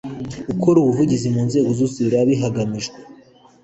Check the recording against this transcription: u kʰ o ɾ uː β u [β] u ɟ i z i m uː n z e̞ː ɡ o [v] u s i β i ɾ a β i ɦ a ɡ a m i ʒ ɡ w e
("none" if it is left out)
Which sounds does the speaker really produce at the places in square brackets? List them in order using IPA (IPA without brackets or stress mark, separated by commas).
v, z